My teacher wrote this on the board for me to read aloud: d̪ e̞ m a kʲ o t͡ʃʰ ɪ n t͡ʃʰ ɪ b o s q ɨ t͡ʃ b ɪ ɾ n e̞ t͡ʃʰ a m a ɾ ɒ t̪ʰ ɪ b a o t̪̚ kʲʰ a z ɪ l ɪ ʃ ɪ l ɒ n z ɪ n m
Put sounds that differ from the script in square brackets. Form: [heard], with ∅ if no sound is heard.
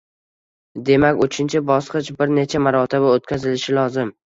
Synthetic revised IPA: d̪ e̞ m a kʲ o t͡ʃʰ ɪ n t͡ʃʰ ɪ b [ɒ] s q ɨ t͡ʃ b ɪ ɾ n e̞ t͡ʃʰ a m a ɾ ɒ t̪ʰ ɪ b a o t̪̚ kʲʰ a z ɪ l ɪ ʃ ɪ l ɒ [∅] z ɪ [∅] m